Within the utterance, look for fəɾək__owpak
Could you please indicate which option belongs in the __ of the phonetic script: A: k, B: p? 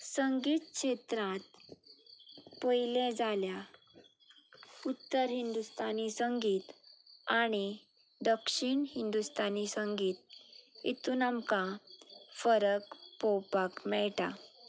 B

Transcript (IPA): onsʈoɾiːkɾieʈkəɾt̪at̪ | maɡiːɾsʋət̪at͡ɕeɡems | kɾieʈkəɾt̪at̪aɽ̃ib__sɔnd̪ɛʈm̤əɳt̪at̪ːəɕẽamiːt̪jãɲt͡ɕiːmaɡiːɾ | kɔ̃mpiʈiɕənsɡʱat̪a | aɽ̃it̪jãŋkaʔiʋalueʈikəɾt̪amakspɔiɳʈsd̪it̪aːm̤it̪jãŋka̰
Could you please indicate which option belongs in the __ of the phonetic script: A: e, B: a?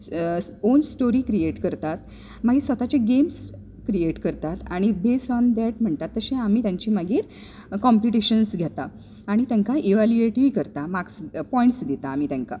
A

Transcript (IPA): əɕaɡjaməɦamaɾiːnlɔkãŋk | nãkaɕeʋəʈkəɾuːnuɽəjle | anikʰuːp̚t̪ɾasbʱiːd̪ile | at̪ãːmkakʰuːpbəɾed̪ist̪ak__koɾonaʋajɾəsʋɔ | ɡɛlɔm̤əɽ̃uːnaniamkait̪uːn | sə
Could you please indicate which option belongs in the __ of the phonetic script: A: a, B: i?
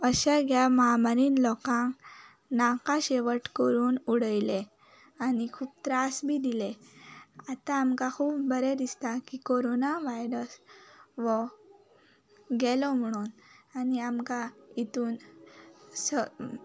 B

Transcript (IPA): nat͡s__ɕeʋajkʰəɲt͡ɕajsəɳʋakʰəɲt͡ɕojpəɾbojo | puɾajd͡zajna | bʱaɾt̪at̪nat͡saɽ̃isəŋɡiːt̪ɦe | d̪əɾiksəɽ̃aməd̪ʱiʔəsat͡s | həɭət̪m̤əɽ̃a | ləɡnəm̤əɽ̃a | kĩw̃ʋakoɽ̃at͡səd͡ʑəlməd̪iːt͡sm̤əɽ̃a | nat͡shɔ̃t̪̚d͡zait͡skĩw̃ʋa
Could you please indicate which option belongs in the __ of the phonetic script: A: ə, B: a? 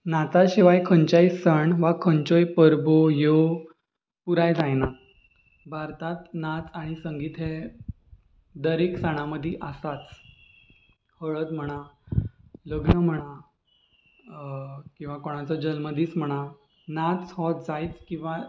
B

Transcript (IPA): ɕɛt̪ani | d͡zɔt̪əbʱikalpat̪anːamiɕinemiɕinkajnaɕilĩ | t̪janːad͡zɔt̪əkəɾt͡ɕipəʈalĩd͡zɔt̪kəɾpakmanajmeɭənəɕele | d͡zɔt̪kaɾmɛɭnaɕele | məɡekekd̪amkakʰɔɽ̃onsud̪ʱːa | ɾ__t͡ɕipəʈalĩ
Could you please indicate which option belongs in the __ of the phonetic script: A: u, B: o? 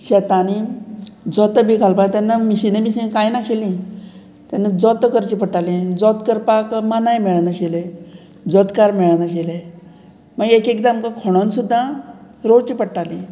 B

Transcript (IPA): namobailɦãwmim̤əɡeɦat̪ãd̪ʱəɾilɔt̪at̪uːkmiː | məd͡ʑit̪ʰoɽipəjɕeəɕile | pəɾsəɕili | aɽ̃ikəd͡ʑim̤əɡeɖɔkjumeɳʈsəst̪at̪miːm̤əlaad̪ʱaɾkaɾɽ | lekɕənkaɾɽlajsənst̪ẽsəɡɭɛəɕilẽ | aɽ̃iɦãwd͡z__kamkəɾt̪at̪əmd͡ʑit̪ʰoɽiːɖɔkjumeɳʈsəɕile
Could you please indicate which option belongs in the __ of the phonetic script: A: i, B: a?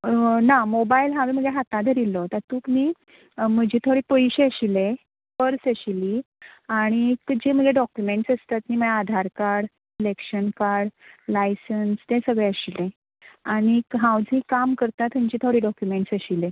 A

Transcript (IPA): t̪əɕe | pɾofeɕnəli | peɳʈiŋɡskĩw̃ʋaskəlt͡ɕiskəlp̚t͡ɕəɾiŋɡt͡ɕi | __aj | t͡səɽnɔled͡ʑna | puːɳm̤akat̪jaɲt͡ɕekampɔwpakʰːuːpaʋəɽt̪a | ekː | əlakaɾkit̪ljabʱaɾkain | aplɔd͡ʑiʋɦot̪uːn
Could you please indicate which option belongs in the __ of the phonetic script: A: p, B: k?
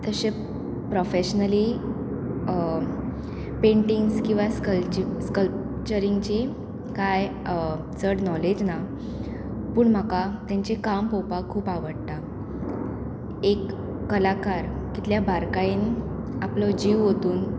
B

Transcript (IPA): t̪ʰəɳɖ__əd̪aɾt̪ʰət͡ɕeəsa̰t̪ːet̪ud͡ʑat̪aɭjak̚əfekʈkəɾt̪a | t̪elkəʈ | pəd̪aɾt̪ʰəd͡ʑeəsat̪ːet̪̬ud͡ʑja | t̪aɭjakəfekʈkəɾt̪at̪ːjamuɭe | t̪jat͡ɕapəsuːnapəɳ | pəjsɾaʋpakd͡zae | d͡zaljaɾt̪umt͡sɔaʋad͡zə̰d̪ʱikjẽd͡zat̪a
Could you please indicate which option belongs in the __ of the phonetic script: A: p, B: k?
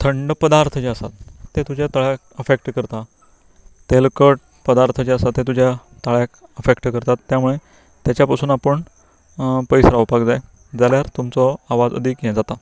A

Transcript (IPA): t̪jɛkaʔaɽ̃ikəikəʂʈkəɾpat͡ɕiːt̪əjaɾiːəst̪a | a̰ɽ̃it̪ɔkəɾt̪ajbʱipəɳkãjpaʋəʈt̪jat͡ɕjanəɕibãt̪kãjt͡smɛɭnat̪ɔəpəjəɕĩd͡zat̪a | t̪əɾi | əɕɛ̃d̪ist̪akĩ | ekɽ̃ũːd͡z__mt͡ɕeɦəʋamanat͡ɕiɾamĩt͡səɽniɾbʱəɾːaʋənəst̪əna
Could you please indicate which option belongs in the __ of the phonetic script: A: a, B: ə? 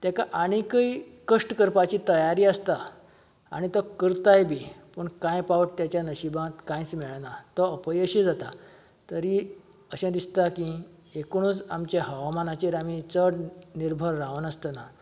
A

